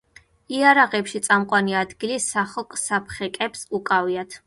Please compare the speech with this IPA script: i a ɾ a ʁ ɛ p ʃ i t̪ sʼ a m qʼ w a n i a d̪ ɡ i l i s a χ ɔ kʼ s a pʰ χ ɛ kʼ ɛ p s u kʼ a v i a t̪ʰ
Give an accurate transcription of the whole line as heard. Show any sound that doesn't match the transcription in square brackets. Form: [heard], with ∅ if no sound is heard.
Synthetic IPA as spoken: i a ɾ a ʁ ɛ p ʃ i t̪ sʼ a m qʼ w a n i a d̪ ɡ i l i s a χ ɔ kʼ s a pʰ χ ɛ kʼ ɛ p s u kʼ a v i a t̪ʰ